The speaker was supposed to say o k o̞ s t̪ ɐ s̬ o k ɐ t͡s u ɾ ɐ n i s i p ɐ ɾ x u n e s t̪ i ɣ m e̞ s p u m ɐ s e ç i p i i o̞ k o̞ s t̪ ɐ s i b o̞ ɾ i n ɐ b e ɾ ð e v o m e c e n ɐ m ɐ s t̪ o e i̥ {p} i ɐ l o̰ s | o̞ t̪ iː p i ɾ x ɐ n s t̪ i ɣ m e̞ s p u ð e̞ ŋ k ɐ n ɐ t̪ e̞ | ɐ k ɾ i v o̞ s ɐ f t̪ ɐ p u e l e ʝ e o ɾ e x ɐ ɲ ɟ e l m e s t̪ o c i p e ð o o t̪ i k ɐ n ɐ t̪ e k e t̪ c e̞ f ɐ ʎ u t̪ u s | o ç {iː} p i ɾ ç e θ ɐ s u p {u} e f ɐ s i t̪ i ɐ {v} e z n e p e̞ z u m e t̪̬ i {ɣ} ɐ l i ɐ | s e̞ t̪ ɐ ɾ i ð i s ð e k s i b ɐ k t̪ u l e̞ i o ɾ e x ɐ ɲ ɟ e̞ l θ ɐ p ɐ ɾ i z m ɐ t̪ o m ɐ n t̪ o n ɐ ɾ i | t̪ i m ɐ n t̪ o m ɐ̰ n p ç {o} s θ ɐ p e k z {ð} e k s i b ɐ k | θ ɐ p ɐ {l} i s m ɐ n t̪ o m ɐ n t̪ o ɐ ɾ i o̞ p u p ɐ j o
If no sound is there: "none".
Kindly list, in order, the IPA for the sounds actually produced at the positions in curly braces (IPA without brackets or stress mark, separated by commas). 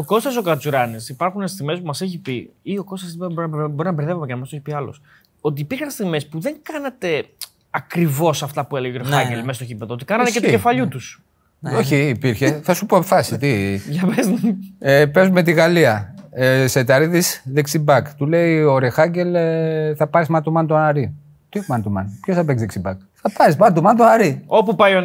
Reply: p, iː, o, v, ɣ, o, ð, ɾ